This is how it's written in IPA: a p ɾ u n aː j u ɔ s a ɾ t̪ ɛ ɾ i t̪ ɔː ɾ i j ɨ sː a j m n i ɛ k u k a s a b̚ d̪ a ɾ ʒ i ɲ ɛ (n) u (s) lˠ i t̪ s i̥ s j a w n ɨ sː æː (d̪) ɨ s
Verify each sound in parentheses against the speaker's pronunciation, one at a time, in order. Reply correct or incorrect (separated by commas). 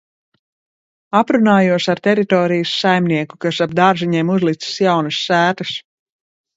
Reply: incorrect, incorrect, incorrect